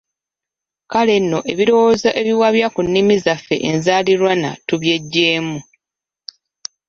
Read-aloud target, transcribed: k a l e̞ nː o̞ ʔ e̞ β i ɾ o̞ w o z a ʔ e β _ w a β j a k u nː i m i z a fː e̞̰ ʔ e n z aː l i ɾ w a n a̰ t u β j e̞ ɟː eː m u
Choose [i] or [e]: i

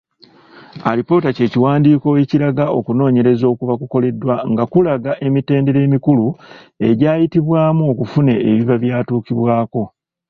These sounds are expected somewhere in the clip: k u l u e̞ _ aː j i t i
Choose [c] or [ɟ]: ɟ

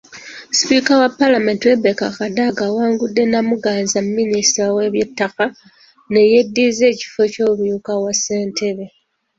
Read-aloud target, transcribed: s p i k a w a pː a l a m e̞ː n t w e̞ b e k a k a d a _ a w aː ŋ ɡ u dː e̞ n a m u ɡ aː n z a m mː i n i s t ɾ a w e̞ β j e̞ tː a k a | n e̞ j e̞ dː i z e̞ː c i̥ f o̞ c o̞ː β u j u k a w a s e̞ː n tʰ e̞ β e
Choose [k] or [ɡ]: ɡ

